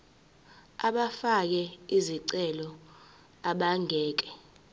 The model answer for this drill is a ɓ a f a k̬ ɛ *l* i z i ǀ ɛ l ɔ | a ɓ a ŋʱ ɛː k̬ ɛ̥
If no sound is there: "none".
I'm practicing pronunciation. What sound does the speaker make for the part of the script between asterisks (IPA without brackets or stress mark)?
none